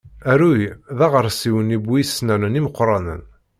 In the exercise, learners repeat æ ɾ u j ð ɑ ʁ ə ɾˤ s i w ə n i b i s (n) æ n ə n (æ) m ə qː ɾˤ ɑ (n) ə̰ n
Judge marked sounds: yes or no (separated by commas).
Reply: yes, no, yes